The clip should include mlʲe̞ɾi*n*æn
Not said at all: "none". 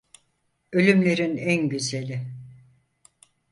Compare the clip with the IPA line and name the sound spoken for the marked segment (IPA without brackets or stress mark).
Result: n